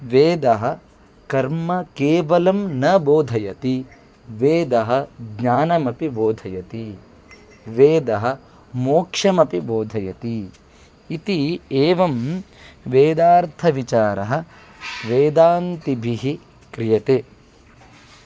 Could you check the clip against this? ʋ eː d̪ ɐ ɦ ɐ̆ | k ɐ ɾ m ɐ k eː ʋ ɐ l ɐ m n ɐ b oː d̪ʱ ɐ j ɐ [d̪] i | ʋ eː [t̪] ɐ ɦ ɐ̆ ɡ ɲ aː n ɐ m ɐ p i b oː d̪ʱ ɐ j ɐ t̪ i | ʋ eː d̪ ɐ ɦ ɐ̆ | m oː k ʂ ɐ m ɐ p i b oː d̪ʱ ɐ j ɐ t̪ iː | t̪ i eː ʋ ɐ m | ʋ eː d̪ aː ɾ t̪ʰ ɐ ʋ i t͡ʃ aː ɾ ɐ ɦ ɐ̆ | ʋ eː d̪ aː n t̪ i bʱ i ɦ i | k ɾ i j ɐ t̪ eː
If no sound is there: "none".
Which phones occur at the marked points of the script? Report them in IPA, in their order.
t̪, d̪

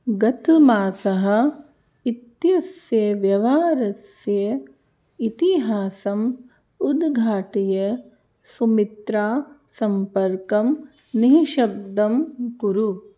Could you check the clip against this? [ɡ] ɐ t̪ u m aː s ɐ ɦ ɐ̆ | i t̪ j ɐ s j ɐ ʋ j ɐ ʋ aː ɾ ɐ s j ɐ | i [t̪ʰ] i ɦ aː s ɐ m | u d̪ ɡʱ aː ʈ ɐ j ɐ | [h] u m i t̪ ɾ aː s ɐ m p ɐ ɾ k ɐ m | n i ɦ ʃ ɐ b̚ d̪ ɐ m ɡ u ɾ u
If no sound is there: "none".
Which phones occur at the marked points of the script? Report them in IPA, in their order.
ɡ, t̪, s

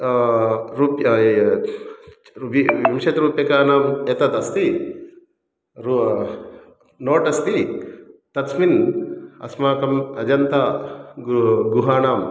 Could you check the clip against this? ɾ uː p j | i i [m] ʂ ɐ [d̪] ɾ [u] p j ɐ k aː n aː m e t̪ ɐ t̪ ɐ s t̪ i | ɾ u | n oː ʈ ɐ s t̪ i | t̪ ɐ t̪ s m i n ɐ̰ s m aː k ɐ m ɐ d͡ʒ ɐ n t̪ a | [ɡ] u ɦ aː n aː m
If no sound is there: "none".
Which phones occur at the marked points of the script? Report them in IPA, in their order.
m, t̪, uː, ɡ

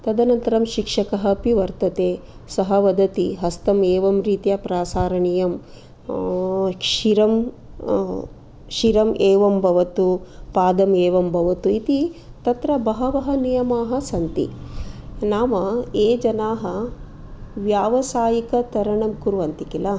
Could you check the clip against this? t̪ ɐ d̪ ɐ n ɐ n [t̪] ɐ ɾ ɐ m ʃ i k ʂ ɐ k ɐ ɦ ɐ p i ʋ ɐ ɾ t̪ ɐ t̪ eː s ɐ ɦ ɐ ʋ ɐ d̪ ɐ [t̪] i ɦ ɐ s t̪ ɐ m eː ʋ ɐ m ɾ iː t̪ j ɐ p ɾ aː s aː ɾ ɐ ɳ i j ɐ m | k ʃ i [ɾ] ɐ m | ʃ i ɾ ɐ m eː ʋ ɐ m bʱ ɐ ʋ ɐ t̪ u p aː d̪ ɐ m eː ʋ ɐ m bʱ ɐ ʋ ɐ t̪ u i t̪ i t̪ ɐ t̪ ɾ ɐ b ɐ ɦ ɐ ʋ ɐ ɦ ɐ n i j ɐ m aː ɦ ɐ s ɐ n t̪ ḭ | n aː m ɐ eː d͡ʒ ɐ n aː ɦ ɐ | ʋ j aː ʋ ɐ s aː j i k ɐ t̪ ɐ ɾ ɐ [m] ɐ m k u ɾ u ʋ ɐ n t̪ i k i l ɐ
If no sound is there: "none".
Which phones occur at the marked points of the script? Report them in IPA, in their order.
t̪, t̪, ɾ, ɳ

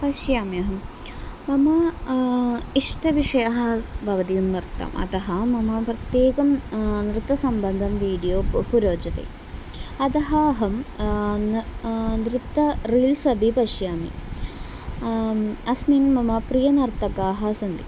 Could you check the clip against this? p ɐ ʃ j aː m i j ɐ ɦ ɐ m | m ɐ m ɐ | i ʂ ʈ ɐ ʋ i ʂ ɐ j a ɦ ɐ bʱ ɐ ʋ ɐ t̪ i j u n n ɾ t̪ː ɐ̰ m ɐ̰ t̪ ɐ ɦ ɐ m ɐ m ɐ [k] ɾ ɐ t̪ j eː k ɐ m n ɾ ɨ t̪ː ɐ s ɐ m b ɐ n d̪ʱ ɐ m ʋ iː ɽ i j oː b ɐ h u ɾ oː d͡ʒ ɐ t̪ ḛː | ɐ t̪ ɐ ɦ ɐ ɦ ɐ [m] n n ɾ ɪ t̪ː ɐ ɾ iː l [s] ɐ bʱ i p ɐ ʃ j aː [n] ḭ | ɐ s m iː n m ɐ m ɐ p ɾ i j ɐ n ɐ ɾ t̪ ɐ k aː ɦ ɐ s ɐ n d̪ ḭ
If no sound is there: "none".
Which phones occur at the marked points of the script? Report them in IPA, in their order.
p, m, s, m

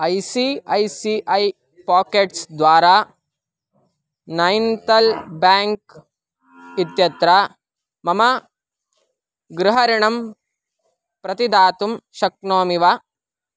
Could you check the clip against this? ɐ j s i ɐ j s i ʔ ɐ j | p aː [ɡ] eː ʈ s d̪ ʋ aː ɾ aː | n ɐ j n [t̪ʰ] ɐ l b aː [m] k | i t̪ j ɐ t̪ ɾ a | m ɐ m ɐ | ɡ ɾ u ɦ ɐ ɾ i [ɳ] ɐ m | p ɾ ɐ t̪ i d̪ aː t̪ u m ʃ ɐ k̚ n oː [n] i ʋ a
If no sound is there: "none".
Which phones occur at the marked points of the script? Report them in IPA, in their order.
k, t̪, ŋ, ɳ, m

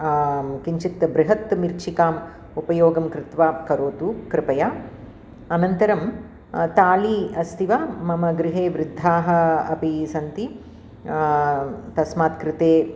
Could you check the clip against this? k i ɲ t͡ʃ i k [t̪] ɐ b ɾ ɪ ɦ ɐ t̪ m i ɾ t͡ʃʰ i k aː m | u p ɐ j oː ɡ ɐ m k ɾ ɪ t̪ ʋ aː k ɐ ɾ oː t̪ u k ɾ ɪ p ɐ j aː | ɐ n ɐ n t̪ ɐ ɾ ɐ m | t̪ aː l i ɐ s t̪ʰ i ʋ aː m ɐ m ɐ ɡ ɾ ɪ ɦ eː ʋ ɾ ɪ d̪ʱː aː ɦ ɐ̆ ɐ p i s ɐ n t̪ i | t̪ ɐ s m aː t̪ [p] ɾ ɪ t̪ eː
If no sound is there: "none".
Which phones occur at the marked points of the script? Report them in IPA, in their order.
t̪, k

